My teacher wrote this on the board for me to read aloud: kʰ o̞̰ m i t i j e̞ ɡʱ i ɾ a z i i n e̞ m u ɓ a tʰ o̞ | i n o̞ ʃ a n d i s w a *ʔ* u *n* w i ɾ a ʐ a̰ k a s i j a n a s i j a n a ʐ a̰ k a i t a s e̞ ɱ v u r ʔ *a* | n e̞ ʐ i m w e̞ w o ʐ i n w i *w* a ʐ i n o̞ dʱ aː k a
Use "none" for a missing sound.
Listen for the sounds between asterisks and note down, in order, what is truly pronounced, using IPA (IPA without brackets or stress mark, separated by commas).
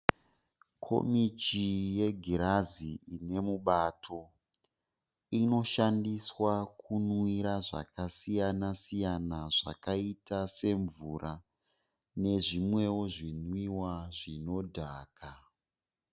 k, n, a, w